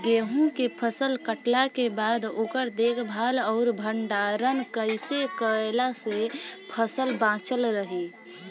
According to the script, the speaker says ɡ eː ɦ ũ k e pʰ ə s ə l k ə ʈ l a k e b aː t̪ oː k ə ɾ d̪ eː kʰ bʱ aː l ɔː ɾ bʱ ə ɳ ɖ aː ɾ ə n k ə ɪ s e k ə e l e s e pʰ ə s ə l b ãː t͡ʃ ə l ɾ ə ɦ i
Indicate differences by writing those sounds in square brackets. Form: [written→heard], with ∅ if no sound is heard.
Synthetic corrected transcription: ɡ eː ɦ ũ k e pʰ ə s ə l k ə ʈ l a k e b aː [t̪→d̪] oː k ə ɾ d̪ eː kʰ bʱ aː l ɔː ɾ bʱ ə ɳ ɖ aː ɾ ə n k ə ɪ s e k ə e l [e→a] s e pʰ ə s ə l b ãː t͡ʃ ə l ɾ ə ɦ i